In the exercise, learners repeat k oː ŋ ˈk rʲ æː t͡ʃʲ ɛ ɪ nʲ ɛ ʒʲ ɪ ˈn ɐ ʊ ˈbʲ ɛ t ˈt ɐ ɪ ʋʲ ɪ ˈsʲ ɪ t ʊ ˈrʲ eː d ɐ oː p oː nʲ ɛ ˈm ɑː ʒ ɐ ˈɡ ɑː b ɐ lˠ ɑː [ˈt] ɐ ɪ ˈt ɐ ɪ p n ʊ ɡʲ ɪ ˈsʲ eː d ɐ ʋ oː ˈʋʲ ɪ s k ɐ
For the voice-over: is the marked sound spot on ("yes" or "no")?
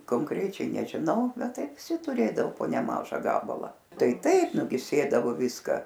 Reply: yes